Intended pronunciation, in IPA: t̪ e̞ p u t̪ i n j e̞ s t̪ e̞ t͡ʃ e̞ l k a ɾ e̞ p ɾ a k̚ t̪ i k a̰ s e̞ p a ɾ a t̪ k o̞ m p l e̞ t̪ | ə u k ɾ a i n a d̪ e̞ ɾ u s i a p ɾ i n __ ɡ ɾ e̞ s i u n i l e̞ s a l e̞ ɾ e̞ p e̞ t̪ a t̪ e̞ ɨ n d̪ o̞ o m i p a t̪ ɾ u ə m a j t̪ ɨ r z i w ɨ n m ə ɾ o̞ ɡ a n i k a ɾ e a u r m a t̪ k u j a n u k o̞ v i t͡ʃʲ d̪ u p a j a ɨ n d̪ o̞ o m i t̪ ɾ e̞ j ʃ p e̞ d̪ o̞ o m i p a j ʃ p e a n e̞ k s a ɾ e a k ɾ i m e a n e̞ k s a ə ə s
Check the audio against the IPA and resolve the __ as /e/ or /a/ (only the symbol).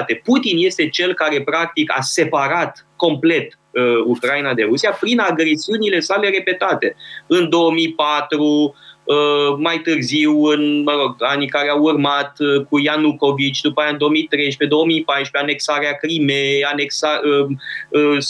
a